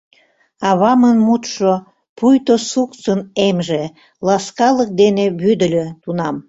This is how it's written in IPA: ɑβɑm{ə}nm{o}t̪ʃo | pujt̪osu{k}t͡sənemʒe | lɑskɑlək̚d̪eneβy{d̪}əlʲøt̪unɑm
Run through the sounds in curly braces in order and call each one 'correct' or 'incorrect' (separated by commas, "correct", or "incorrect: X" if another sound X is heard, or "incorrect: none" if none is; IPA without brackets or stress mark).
correct, incorrect: u, correct, correct